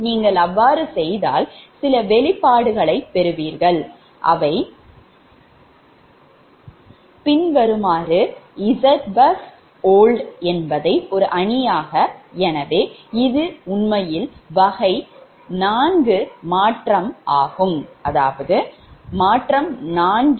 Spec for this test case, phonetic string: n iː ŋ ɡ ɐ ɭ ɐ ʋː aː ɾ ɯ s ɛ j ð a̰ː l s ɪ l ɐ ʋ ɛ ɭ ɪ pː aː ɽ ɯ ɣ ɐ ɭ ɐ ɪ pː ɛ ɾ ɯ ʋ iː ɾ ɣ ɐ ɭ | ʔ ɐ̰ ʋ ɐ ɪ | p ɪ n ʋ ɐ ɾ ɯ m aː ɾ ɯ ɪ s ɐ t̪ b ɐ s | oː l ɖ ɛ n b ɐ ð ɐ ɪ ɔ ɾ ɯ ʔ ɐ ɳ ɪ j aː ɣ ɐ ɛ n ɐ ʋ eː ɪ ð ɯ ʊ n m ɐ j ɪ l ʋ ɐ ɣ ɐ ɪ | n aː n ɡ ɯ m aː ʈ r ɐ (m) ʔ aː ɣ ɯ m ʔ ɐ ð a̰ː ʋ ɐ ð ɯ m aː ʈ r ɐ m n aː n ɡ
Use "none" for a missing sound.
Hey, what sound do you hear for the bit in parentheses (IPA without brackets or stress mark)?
m